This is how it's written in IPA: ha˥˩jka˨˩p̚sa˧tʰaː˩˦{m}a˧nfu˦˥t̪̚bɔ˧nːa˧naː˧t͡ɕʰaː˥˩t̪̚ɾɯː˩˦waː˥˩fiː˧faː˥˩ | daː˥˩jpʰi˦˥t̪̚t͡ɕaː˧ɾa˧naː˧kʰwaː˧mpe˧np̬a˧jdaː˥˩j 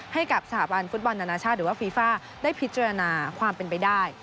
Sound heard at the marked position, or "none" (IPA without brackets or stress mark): b